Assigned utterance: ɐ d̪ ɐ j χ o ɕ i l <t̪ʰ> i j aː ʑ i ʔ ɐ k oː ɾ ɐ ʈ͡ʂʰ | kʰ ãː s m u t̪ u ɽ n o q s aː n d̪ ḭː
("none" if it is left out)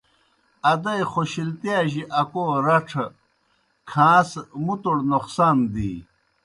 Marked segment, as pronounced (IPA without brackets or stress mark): t̪